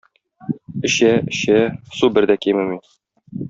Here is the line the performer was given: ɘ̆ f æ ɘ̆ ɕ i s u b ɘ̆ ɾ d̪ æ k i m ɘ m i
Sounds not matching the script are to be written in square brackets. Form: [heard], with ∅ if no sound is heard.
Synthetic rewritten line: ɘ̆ [ɕ] æ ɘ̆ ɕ [æ] s u b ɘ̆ ɾ d̪ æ k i m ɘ m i